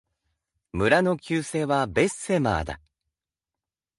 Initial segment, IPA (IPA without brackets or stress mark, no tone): m